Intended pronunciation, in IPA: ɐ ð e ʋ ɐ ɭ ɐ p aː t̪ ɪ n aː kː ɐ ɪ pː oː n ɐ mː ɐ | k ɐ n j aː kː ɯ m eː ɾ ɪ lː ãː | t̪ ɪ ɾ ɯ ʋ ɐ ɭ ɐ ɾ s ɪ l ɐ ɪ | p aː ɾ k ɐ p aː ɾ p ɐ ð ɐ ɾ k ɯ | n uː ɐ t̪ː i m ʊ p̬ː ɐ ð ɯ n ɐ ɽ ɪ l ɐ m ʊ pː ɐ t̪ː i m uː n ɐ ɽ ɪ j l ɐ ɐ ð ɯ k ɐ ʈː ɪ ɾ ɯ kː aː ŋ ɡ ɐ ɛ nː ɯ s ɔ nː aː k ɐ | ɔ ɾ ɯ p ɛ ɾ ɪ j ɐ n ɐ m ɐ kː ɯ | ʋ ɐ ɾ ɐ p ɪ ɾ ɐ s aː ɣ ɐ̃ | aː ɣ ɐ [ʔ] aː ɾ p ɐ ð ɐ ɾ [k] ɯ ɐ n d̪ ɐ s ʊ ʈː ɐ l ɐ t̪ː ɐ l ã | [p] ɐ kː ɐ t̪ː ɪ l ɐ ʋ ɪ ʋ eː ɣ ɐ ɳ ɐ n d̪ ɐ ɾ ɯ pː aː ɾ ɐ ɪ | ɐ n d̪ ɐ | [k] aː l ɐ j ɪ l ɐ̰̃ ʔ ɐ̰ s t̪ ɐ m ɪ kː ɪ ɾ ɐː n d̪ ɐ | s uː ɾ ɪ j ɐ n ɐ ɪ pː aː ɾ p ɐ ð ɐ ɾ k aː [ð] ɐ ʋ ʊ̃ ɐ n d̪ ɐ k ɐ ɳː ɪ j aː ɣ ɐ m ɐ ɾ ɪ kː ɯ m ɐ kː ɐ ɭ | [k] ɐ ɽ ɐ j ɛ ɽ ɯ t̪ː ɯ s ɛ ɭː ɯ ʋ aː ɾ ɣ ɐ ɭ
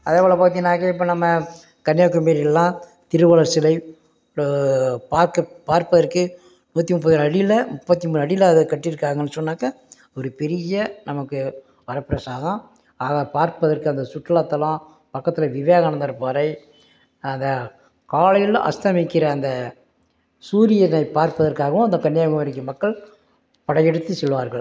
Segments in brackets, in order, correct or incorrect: incorrect: p, correct, correct, correct, incorrect: ɣ, incorrect: p

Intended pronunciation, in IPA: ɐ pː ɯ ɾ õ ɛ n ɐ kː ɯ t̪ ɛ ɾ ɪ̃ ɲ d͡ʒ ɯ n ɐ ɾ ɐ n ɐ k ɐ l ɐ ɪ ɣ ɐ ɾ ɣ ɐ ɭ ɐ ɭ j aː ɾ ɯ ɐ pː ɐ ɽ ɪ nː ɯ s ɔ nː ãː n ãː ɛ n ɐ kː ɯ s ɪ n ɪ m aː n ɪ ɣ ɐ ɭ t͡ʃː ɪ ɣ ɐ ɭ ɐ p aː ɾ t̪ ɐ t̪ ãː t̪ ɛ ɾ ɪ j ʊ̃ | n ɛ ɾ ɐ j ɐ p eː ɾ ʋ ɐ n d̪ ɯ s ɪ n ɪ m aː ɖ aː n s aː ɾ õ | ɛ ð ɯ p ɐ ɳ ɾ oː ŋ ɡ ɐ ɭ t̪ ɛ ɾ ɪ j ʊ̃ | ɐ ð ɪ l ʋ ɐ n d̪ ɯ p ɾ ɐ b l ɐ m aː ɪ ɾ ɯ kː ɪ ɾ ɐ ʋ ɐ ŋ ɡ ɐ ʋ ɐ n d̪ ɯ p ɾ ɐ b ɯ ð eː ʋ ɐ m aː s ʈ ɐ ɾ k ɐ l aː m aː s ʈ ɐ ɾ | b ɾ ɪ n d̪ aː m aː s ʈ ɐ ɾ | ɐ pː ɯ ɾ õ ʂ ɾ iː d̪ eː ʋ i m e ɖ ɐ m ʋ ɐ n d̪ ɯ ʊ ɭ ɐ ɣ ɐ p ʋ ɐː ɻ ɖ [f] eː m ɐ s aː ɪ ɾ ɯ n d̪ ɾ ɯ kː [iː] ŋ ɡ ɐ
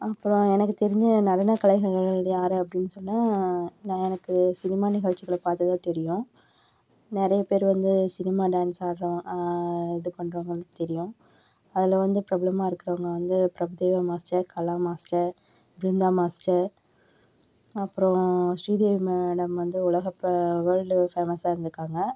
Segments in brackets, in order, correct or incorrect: correct, incorrect: aː

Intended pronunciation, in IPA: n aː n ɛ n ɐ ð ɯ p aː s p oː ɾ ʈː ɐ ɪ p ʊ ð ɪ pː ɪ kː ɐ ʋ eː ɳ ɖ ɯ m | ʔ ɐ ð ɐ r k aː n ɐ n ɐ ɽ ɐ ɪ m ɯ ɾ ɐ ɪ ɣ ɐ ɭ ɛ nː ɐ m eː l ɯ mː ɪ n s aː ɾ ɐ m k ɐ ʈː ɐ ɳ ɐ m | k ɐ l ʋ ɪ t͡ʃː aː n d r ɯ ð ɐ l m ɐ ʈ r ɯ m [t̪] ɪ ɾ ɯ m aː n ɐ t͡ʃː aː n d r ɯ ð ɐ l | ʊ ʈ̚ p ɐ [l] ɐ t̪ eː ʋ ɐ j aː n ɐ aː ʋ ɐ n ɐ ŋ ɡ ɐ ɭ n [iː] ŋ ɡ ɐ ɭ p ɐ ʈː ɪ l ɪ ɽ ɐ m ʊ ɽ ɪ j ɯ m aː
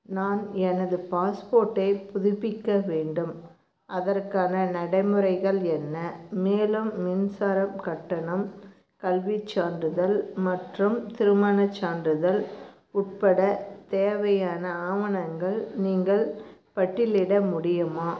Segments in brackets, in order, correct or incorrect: correct, incorrect: ɽ, correct

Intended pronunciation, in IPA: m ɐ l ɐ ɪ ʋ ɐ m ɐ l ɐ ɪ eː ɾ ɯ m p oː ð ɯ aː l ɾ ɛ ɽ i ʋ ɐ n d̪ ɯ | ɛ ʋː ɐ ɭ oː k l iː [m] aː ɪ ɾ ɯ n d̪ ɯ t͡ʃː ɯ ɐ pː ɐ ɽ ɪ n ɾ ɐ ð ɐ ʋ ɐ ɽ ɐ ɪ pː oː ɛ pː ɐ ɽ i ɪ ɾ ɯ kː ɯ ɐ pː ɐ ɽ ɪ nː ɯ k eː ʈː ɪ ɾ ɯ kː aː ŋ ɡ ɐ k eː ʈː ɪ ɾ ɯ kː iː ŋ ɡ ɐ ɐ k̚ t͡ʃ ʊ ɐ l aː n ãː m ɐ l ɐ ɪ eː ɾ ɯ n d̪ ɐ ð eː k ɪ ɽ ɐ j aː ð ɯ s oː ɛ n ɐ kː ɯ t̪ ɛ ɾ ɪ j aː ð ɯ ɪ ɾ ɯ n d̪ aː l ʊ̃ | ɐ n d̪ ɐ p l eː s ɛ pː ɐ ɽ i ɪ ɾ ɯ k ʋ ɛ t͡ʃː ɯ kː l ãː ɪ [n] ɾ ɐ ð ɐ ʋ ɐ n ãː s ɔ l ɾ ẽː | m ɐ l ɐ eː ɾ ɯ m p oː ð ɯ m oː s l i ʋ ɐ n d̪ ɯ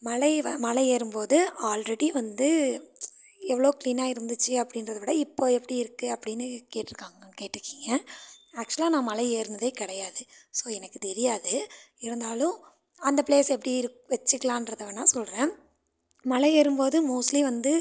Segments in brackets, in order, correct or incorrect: incorrect: n, correct

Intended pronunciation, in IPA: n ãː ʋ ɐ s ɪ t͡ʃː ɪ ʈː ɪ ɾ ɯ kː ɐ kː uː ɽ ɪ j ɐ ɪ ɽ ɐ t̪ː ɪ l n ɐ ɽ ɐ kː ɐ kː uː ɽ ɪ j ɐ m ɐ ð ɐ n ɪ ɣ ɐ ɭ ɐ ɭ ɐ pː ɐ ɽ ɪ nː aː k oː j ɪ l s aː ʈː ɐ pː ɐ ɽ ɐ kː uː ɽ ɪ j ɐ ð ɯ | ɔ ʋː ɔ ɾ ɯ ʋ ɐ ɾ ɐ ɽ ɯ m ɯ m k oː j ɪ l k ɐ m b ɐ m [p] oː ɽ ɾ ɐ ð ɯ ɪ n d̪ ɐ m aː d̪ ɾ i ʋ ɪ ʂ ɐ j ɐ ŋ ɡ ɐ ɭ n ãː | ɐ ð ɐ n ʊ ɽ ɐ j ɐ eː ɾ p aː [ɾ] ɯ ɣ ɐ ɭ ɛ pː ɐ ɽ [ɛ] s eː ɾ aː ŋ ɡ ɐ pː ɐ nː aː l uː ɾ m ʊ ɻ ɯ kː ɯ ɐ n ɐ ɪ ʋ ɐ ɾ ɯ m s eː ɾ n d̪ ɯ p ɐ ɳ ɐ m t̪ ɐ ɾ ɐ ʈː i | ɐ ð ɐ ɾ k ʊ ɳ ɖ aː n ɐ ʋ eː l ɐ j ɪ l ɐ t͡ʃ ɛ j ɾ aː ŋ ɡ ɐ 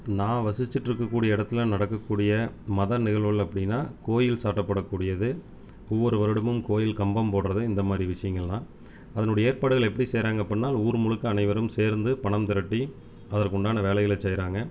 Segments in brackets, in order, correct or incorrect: correct, incorrect: ɽ, incorrect: i

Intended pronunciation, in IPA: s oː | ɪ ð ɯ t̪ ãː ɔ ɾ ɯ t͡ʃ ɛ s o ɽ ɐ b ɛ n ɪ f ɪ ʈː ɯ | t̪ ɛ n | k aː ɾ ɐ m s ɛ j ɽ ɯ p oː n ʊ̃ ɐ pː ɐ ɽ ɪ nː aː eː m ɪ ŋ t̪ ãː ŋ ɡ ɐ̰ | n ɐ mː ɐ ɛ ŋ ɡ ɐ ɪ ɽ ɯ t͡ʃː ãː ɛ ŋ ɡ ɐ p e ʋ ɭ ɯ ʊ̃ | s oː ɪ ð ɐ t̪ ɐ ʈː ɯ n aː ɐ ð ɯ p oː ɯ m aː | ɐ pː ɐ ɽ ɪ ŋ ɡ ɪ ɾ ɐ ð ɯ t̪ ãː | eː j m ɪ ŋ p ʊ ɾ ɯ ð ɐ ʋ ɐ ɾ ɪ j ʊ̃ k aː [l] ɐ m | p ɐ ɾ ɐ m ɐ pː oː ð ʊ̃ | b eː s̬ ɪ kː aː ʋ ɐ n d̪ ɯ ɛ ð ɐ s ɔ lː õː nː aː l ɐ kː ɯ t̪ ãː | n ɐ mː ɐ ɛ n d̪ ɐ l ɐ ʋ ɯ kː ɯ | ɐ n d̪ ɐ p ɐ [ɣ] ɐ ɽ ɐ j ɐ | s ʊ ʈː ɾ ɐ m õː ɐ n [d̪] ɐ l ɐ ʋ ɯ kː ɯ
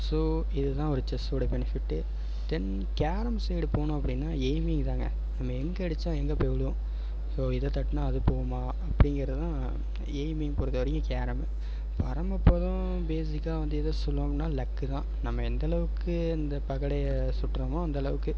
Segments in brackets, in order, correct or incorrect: incorrect: ɾ, correct, correct

